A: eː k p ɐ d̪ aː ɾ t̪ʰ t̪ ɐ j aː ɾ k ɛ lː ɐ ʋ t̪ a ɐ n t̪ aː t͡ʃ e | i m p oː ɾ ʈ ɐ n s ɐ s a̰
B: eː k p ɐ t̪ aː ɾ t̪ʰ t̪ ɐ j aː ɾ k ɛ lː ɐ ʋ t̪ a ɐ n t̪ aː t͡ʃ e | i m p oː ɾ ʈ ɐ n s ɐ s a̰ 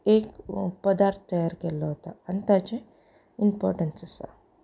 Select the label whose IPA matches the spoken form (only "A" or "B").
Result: A